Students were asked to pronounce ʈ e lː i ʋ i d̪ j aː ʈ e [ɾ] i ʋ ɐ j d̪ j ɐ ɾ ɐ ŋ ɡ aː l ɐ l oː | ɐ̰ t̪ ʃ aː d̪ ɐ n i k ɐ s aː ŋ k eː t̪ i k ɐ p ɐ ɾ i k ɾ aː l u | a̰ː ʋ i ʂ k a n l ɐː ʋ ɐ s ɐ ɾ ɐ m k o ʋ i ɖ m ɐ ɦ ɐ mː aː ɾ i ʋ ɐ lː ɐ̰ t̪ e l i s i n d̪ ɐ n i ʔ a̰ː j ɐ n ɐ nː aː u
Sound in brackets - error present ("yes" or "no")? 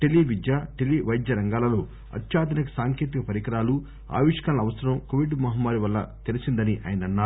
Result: yes